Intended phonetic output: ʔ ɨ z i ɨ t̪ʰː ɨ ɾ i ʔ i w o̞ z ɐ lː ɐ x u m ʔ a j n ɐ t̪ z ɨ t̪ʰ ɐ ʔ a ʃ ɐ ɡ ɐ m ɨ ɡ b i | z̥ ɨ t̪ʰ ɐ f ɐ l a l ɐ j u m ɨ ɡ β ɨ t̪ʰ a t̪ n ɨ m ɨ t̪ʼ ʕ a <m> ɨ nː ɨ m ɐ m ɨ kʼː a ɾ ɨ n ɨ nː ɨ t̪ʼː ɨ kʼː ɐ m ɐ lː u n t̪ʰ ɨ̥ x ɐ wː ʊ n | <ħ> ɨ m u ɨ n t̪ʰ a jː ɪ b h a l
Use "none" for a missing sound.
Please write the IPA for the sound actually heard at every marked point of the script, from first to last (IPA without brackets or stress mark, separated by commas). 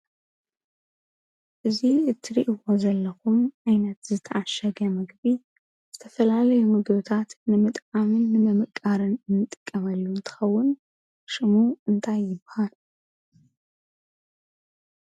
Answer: m, ʃ